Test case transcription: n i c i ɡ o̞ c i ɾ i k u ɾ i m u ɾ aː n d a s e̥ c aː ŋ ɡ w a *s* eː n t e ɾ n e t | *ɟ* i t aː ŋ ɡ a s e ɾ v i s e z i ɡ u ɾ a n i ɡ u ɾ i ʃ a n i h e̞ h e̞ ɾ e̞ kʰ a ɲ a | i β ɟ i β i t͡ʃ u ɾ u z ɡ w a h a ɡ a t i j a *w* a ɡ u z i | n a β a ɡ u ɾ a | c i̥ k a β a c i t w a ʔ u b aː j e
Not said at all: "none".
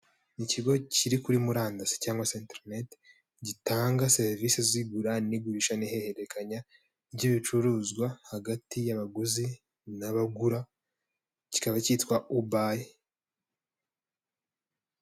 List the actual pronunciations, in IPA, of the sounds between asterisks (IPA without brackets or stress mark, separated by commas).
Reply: s, ɟ, β